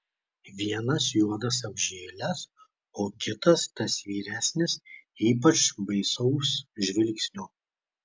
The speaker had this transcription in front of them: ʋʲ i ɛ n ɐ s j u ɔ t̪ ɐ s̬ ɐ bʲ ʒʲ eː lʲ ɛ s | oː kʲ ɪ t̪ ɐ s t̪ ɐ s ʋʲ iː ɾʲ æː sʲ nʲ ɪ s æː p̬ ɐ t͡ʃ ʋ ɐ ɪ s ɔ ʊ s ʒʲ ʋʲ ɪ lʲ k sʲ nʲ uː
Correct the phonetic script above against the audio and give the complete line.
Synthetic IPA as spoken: ʋʲ i ɛ n ɐ s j u ɔ d̪ ɐ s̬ ɐ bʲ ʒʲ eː lʲ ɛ s | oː kʲ ɪ t̪ ɐ s t̪ ɐ s ʋʲ iː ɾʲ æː sʲ nʲ ɪ s iː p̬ ɐ t͡ʃ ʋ ɐ ɪ s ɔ ʊ s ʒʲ ʋʲ ɪ lʲ k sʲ nʲ uː